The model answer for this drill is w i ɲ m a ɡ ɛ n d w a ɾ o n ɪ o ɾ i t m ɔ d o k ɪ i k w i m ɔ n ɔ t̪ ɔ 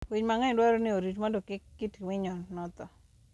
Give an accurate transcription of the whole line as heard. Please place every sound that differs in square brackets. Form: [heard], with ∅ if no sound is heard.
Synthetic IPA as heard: w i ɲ m a [ŋ] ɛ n d w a ɾ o n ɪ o ɾ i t m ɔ d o k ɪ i [t] w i [ɲ] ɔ n ɔ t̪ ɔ